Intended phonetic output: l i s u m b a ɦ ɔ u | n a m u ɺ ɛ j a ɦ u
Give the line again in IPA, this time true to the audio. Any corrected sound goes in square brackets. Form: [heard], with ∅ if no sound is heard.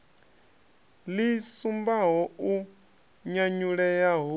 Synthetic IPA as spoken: l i s u m b a ɦ ɔ u | [ɲ] a [ɲ] u ɺ ɛ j a ɦ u

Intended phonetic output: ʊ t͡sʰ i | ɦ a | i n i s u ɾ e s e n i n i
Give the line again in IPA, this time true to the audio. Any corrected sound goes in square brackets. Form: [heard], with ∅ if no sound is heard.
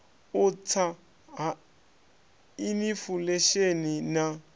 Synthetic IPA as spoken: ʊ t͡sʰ [a] | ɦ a | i n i [f] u [l] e [ʃ] e n i n [a]

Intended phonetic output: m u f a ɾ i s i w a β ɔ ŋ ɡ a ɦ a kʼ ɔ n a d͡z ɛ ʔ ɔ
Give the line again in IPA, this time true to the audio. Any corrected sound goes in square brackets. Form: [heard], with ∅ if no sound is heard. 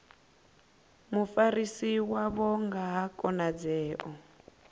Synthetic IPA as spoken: m u f a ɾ i s i w a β ɔ ŋ ɡ a ɦ a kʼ ɔ n a d͡z [ɛː] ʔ ɔ

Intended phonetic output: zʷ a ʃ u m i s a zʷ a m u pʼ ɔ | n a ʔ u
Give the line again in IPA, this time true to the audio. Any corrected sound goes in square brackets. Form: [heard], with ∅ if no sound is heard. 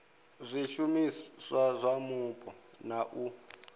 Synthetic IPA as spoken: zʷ [i] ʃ u m i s a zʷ a m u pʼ ɔ | n a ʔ u

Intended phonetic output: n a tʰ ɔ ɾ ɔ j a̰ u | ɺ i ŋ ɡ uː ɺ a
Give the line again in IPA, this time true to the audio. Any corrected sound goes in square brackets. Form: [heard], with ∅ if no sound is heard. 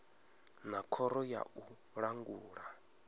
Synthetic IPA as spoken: n a [kʰ] ɔ ɾ ɔ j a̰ u | ɺ [a] ŋ ɡ uː ɺ a

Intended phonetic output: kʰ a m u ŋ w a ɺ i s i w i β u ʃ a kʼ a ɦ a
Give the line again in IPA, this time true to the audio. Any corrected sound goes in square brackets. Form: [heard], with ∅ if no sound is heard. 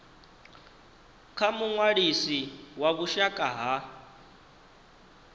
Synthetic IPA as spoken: kʰ a m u ŋ w a ɺ i s i w [a] β u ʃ a kʼ a ɦ a

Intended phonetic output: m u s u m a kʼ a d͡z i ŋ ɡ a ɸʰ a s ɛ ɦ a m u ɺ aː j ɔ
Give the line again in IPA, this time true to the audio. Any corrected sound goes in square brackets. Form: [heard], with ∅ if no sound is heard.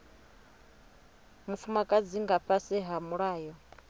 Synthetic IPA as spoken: m u [f] u m a kʼ a d͡z i ŋ ɡ a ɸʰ a s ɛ ɦ a m u ɺ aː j ɔ

